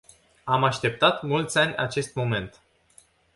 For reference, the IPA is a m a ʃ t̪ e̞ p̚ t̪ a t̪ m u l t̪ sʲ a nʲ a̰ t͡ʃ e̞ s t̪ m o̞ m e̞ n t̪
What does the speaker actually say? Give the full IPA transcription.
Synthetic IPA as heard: a m a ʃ t̪ e̞ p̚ t̪ a t̪ m u l t̪ sʲ a nʲ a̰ t͡ʃ e̞ s t̪ m o̞ m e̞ n t̪